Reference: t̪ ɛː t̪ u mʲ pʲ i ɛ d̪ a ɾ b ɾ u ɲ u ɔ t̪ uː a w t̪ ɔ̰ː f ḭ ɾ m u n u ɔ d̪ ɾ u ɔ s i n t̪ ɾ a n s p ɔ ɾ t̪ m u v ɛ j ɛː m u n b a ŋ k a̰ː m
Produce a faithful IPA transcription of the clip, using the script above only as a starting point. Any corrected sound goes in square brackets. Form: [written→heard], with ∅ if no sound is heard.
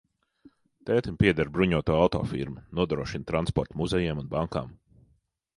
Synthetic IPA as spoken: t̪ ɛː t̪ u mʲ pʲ i ɛ d̪ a ɾ b ɾ u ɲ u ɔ t̪ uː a w t̪ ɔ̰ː f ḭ ɾ m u n u ɔ d̪ ɾ u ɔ [s→ʃ] i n t̪ ɾ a n s p ɔ ɾ t̪ m u [v→z] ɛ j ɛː m u n b a ŋ k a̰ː m